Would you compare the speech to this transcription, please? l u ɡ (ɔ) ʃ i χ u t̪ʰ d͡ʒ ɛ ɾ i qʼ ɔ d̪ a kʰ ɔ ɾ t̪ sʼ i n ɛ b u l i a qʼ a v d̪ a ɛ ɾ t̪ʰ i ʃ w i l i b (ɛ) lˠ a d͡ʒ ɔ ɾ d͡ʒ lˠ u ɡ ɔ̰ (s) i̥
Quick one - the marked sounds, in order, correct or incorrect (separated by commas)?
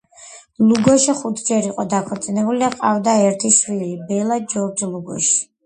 correct, correct, incorrect